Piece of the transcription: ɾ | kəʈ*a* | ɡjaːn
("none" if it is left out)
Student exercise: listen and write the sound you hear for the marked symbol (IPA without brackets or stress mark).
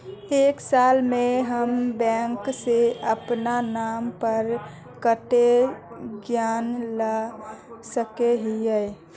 e